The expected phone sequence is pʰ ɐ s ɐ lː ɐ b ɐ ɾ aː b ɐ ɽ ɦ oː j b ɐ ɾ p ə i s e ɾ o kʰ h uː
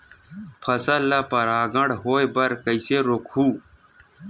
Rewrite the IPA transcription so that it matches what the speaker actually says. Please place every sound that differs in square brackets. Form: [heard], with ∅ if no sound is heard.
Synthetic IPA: pʰ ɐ s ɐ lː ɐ [p] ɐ ɾ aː [ɡ] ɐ ɽ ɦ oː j b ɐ ɾ [k] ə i s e ɾ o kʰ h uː